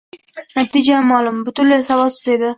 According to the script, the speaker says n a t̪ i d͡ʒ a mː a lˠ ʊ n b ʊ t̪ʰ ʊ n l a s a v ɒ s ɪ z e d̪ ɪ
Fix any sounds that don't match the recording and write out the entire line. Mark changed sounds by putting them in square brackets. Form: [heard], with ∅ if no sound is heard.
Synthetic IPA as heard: n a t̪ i d͡ʒ a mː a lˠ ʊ [m] b ʊ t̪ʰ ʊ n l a s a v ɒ s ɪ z e d̪ ɪ